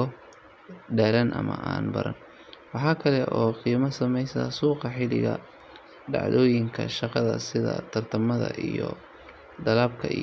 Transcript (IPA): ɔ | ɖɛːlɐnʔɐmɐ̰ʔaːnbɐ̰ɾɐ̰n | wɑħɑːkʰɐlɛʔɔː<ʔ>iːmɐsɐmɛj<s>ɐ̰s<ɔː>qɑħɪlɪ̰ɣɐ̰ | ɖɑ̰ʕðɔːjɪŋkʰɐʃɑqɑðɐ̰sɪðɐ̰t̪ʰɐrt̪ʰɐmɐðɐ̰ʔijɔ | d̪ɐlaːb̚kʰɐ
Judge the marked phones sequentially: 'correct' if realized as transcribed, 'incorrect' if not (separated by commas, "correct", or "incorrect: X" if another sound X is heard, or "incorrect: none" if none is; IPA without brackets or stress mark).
incorrect: q, correct, incorrect: uː